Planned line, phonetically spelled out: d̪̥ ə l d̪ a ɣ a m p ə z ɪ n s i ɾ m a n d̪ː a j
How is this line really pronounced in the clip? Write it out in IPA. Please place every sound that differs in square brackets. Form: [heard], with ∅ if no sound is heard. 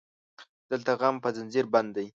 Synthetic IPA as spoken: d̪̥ ə l [t̪] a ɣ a m p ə z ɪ n [z] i ɾ [b] a n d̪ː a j